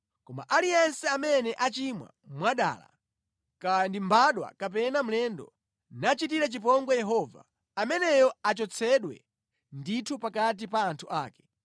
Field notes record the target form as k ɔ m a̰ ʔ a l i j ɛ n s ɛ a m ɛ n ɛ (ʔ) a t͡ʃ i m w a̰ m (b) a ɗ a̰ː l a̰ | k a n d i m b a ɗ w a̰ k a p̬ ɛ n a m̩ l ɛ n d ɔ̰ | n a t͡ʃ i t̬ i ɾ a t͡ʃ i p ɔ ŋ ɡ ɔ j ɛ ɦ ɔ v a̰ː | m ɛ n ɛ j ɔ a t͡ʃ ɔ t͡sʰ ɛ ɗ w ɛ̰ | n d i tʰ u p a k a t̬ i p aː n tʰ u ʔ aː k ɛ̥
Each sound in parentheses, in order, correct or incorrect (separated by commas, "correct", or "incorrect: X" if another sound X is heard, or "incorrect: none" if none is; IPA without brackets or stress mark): correct, incorrect: w